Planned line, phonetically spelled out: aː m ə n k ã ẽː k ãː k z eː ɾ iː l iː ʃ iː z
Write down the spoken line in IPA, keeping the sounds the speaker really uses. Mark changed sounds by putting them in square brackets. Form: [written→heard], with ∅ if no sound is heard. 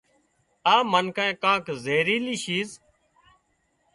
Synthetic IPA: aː m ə n k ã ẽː k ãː k z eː ɾ iː l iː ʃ iː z